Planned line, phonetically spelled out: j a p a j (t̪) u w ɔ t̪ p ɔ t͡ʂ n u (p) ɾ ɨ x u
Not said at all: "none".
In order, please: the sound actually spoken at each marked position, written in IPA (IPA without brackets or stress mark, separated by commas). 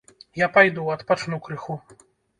d̪, k